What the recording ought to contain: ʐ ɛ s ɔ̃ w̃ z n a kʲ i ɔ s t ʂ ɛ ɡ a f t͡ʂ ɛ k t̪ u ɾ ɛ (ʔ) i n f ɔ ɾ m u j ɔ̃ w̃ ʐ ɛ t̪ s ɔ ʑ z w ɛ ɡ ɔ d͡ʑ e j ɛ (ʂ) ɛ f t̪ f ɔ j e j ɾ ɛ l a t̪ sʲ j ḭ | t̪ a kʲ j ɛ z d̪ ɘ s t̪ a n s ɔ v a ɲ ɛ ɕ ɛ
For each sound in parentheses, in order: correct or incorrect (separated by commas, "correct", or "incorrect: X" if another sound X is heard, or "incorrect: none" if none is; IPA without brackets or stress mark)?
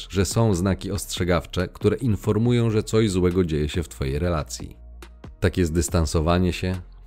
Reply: correct, incorrect: ɕ